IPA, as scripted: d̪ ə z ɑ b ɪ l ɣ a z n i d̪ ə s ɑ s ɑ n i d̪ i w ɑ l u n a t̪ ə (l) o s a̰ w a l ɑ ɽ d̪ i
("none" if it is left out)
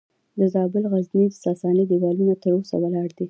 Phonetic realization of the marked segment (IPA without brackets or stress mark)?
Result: ɾ